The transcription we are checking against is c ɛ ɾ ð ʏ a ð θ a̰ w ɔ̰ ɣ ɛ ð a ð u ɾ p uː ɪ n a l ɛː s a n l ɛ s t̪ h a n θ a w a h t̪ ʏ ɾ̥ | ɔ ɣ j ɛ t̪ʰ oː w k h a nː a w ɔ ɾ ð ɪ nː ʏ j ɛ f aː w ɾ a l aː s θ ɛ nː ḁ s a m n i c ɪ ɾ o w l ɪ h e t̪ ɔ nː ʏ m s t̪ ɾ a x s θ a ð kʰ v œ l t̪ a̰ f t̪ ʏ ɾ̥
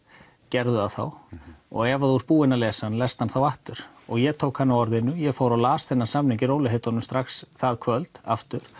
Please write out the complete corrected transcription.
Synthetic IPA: c ɛ ɾ ð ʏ a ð θ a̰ w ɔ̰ ɣ ɛ v a ð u ɾ p uː ɪ n a l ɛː s a n l ɛ s t̪ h a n θ a w a h t̪ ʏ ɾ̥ | ɔ ɣ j ɛ t̪ʰ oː w k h a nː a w ɔ ɾ ð ɪ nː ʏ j ɛ f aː w ɾ a l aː s θ ɛ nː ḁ s a m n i c ɪ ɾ o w l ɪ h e t̪ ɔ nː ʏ m s t̪ ɾ a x s θ a ð kʰ v œ l t̪ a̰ f t̪ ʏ ɾ̥